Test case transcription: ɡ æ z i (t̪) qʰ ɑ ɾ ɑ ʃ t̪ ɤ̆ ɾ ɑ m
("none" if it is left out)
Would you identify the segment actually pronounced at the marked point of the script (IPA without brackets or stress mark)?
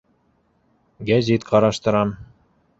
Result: t̪